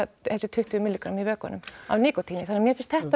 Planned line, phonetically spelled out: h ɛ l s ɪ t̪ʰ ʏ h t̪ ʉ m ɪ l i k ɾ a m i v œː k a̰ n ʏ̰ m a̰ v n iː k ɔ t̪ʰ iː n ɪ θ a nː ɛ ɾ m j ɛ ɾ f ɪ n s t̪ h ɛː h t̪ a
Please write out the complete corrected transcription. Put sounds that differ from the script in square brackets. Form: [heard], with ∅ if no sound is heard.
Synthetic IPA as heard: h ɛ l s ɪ t̪ʰ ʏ h t̪ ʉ m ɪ l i k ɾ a m i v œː k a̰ n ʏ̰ m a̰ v n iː k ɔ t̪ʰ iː n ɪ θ a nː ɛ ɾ m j ɛ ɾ f ɪ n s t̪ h [ɛ] h t̪ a